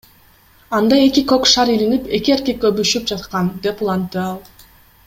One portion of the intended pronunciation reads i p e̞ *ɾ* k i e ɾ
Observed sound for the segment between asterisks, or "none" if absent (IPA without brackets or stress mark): none